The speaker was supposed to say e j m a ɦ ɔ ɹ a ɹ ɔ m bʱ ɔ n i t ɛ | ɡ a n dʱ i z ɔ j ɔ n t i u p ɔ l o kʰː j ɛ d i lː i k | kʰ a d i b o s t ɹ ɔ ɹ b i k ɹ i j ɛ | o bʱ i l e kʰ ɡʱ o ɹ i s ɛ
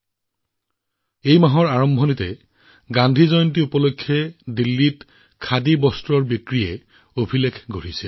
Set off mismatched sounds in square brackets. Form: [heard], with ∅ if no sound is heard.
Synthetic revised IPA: e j m a ɦ ɔ ɹ a ɹ ɔ m bʱ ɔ n i t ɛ | ɡ a n dʱ i z ɔ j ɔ n t i u p ɔ l o kʰː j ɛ d i lː i [t] | kʰ a d i b [ɔ] s t ɹ ɔ ɹ b i k ɹ i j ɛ | o bʱ i l e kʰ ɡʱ o ɹ i s ɛ